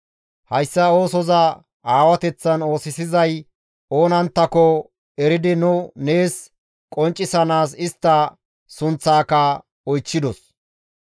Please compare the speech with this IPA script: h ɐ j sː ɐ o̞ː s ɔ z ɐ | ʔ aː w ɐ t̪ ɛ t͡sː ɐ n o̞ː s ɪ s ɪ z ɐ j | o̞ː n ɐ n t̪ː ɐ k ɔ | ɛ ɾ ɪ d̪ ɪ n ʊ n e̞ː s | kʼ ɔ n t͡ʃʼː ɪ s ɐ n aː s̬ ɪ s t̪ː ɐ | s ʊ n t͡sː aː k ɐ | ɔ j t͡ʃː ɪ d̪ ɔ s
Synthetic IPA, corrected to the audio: h ɐ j sː ɐ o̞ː s ɔ z ɐ | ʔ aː w ɐ t̪ ɛ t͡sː ɐ n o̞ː s ɪ s ɪ z ɐ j | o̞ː n ɐ n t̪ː ɐ k ɔ | ɛ ɾ ɪ d̪ ɪ n ʊ n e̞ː s | kʼ ɔ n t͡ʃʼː ɪ s ɐ n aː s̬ ɪ s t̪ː ɐ | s ʊ n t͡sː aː k ɐ | ɔ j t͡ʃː ɪ d̪ ɔ s